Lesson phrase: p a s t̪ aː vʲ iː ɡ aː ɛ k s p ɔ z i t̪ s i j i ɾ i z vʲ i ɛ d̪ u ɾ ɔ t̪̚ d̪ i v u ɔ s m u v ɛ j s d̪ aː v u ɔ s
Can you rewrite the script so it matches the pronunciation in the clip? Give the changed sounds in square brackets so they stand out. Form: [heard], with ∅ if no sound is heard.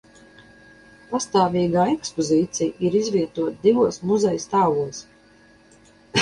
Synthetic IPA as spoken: p a s t̪ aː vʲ iː ɡ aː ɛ k s p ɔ z [iː] t̪ s i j i ɾ i z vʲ i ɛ [t̪] u [∅] ɔ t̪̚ d̪ i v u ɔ s m u [z] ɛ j s [t̪] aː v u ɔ s